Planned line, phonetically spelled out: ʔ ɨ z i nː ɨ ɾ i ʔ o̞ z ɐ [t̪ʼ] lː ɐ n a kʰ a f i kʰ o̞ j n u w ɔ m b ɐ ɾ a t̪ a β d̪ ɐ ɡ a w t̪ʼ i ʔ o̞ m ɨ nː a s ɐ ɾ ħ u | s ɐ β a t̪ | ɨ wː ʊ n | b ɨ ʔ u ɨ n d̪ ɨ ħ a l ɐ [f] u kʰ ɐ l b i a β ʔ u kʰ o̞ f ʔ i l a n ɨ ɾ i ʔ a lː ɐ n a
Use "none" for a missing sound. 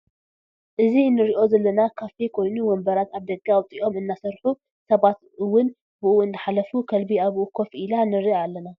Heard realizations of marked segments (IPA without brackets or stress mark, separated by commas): none, f